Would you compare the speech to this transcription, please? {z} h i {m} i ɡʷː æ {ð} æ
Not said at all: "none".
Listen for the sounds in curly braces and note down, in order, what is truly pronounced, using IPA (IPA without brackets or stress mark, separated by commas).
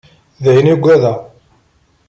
ð, n, ð